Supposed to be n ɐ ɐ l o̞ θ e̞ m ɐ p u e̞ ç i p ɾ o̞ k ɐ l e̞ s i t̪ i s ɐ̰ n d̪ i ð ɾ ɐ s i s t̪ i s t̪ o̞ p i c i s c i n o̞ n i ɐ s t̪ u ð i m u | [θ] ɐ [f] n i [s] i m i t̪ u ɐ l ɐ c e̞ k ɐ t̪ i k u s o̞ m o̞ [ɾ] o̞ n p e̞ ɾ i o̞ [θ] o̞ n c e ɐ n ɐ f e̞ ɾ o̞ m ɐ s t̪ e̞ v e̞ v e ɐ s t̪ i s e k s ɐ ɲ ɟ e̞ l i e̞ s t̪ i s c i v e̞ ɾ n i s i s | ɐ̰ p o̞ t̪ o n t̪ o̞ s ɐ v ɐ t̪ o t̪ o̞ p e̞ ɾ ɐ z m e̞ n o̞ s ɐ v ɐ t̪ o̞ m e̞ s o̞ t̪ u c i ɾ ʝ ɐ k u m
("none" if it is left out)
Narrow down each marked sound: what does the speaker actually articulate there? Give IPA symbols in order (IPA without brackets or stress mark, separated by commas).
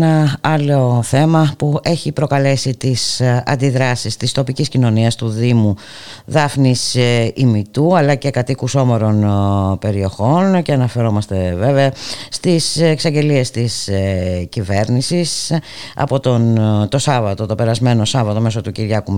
ð, f, s, ɾ, x